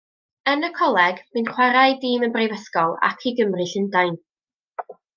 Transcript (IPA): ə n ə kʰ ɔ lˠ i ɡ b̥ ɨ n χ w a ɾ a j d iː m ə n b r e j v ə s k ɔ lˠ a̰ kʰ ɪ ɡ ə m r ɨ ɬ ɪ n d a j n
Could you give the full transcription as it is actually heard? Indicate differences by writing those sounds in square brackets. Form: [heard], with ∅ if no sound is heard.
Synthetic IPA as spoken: ə n ə kʰ ɔ lˠ [ɛ] ɡ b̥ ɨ n χ w a ɾ a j d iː m ə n b r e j v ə s k ɔ lˠ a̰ kʰ [i] ɡ ə m r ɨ ɬ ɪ n d a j n